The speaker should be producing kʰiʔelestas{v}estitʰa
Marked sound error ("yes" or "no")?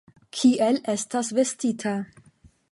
no